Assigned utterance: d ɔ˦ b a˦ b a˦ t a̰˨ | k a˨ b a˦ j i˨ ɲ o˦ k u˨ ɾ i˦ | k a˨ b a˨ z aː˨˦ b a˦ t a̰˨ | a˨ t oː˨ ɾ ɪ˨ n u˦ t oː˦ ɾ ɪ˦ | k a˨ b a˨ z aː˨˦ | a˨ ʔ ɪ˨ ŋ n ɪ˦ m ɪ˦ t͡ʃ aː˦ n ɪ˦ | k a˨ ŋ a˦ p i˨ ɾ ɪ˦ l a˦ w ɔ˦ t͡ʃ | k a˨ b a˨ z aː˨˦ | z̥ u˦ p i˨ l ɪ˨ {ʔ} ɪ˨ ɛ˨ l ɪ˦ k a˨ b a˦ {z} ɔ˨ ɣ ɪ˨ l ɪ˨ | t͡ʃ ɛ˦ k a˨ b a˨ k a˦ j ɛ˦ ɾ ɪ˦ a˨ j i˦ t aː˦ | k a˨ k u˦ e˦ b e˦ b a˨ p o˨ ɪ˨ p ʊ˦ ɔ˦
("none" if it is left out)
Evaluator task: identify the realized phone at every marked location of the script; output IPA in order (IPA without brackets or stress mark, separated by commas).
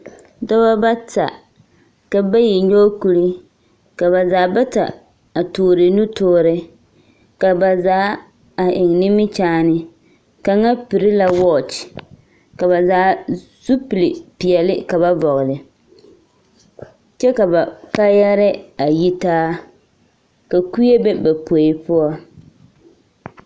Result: p, v